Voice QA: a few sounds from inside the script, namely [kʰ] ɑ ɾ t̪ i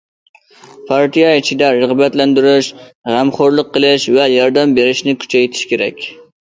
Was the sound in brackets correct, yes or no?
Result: no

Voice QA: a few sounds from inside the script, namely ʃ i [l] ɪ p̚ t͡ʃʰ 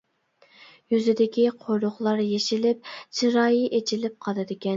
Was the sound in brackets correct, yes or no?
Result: yes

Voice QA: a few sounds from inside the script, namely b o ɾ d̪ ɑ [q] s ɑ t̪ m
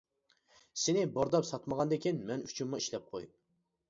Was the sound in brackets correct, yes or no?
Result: no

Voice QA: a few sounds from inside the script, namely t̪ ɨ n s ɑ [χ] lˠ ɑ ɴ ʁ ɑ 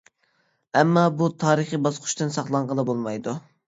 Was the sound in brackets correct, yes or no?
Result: yes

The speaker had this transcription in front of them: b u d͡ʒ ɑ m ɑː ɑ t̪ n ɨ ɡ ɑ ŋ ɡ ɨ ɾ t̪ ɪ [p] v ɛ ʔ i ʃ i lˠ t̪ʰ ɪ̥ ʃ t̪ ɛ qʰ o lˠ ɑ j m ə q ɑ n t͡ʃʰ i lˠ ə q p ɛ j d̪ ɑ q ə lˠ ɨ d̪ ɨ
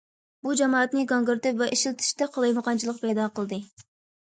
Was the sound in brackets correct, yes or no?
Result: yes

